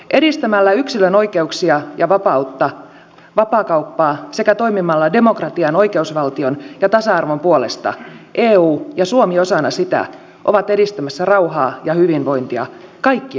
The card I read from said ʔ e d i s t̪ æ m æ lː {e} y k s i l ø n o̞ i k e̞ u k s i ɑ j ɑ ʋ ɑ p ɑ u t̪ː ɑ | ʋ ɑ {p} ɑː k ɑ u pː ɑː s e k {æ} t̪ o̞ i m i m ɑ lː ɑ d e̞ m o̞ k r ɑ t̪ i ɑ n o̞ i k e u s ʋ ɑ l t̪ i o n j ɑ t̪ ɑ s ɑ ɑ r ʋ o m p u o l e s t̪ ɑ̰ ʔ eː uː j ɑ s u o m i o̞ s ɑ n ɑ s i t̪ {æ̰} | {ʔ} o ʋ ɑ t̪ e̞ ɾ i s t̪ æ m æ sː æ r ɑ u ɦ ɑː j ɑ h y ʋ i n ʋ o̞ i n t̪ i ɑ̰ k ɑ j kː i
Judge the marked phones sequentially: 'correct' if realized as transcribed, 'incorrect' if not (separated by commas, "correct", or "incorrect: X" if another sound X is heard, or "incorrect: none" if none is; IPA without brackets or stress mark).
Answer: incorrect: æ, correct, correct, correct, correct